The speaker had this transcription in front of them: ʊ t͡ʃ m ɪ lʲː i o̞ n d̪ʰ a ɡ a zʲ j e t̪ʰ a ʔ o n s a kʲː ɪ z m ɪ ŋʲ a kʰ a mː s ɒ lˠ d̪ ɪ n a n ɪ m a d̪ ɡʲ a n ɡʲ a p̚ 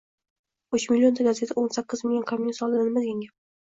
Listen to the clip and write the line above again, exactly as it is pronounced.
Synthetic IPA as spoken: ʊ t͡ʃ m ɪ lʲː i o̞ n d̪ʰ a ɡ a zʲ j e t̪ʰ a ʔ o n s a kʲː ɪ z m ɪ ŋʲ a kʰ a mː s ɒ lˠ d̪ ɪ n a n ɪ m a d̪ ɡʲ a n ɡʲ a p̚